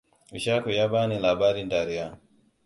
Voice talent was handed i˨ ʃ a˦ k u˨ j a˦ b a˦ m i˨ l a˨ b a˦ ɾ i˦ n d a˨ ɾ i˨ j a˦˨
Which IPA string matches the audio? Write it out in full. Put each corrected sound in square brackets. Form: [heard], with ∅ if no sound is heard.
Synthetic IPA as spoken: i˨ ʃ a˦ k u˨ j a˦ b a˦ [n] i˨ l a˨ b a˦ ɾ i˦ n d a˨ ɾ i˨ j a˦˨

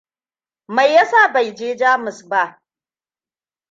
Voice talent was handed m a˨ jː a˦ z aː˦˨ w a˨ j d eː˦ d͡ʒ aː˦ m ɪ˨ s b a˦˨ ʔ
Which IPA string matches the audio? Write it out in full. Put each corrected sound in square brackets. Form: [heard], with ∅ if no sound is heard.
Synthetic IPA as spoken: m a˨ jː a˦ [s] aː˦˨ [b] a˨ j [d͡ʒ] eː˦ d͡ʒ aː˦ m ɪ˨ s b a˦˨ ʔ

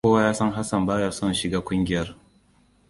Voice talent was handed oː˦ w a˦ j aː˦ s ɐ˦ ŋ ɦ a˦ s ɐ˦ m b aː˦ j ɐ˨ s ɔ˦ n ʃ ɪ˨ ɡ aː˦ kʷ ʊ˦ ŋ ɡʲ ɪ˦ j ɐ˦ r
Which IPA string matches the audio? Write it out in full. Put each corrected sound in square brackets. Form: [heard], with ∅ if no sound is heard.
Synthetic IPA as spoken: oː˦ w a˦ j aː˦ s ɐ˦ ŋ ɦ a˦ s [ɐ˨] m b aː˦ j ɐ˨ s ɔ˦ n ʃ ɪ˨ ɡ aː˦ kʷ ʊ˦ ŋ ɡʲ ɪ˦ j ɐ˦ r

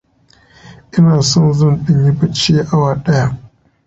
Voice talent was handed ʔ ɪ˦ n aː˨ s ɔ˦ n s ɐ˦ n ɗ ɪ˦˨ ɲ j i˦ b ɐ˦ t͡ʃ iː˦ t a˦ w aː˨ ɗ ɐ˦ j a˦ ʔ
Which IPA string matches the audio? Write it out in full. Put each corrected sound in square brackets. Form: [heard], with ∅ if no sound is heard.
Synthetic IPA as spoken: ʔ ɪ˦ n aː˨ s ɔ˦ n [z] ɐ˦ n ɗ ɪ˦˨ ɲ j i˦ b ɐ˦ t͡ʃ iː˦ [ʔ] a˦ w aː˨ ɗ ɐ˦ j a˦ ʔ

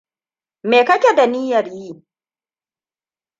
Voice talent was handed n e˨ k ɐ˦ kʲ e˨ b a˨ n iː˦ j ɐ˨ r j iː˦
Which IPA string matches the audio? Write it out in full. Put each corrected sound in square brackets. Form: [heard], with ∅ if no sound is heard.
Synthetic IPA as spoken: [m] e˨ k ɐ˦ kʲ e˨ [d] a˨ n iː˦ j ɐ˨ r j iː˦

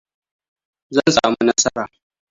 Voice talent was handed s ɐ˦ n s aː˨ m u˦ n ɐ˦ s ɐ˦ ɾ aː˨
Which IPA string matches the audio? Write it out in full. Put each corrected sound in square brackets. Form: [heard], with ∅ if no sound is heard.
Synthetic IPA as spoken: [z] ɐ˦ n s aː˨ m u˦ n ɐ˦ s ɐ˦ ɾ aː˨

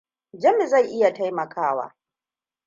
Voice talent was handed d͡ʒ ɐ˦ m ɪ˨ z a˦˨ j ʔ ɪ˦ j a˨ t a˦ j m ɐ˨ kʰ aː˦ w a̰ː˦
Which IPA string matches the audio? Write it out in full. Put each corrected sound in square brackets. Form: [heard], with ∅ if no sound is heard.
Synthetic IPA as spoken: d͡ʒ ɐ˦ m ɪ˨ z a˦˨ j ʔ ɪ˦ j a˨ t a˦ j m ɐ˨ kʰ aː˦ w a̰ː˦

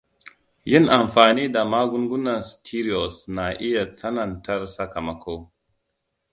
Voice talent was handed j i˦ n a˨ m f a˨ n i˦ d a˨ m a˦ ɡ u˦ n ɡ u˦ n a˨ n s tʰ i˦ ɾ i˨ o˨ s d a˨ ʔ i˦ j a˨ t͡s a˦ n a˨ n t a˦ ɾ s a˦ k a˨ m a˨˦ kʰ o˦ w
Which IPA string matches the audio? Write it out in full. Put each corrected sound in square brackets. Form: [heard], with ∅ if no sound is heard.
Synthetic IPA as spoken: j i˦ n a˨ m f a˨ n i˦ d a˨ m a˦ ɡ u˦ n ɡ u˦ n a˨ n s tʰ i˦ ɾ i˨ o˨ s [n] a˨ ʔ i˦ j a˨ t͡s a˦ n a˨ n t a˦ ɾ s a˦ k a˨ m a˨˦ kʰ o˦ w

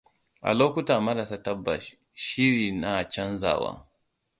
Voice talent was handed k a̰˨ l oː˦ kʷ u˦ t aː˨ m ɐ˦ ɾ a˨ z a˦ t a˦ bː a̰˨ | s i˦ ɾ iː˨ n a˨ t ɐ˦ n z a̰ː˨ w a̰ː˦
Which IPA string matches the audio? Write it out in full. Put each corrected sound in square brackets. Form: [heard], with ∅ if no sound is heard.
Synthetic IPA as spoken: [ʔ] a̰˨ l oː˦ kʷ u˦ t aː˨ m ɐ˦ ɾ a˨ [s] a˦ t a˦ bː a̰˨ | [ʃ] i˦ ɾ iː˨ n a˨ [t͡ʃ] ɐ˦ n z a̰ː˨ w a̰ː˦

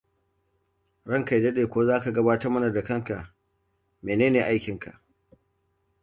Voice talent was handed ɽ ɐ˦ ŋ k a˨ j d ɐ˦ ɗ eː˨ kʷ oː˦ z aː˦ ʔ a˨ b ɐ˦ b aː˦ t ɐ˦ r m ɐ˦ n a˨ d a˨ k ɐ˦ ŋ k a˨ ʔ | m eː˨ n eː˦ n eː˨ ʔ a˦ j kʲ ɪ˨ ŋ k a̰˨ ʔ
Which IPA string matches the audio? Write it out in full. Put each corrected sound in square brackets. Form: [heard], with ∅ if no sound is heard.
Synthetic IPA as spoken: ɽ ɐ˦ ŋ k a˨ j d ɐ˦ ɗ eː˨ kʷ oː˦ z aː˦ [k] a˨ [ɡ] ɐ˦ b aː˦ t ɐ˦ r m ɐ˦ n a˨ d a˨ k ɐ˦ ŋ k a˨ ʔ | m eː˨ n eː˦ n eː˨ ʔ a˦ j kʲ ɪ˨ ŋ k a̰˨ ʔ

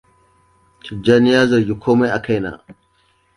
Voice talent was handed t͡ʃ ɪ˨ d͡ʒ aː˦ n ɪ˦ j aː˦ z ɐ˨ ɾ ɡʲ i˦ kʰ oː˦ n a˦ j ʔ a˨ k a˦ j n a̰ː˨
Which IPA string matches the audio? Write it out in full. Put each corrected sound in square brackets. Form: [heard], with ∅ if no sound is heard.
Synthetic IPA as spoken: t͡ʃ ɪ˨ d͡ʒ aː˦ n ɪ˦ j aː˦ z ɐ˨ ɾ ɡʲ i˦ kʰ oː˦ [m] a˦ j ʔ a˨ k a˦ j n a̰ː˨

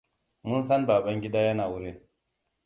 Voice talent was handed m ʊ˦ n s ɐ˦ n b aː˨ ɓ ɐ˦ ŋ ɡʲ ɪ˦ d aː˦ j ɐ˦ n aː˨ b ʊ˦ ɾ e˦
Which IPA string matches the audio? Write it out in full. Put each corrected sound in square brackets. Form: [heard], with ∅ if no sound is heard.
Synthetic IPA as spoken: m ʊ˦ n s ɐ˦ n b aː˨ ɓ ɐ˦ ŋ ɡʲ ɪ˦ d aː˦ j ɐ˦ n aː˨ [w] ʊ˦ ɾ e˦

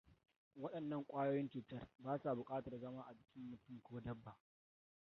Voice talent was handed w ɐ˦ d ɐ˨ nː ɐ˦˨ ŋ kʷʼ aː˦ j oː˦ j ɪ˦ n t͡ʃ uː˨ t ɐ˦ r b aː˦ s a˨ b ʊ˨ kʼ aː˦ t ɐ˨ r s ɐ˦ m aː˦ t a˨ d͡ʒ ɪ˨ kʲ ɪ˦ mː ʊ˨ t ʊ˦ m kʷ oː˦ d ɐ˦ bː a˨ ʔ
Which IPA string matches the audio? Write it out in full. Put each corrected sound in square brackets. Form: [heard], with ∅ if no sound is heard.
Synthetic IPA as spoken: w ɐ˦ [ɗ] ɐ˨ nː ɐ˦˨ ŋ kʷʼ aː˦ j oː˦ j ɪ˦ n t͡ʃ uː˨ t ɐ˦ r b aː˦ s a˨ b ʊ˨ kʼ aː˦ t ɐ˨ r [z] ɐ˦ m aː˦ [ʔ] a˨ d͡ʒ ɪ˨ kʲ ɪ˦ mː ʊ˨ t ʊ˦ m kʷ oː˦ d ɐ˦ bː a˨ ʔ

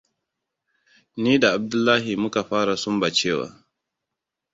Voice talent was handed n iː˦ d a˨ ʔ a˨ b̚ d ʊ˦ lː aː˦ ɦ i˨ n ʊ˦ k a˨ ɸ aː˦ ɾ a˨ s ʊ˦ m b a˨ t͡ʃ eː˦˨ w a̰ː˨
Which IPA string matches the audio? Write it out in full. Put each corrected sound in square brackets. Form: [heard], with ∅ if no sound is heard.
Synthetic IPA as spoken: n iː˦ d a˨ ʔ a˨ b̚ d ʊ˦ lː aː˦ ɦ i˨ [m] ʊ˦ k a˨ ɸ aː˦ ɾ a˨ s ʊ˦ m b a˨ t͡ʃ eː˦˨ w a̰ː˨

